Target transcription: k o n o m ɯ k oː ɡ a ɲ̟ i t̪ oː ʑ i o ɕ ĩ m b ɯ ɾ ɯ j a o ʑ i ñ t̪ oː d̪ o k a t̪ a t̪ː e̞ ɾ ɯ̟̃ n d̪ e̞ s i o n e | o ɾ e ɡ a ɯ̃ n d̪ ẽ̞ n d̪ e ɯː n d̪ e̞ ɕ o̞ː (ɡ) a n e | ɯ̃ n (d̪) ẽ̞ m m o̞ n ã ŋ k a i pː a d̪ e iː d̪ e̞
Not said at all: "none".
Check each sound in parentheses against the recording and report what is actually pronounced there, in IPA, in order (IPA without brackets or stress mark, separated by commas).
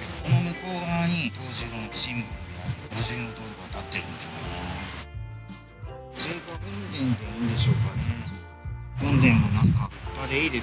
k, d̪